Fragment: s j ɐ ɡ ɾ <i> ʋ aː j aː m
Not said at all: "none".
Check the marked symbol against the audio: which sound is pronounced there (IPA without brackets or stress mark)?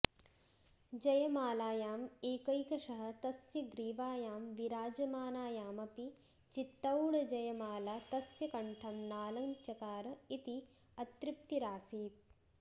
iː